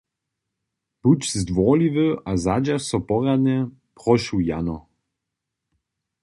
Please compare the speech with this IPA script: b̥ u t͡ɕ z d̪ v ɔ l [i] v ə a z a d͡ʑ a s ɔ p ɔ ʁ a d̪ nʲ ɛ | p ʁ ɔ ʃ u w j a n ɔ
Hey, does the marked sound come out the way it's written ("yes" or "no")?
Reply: yes